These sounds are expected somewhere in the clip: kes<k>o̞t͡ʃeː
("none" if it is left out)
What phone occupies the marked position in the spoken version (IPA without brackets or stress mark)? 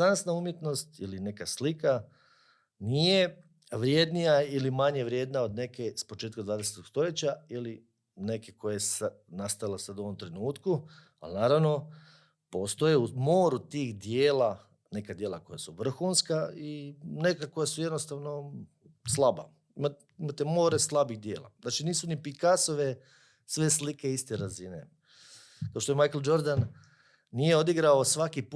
p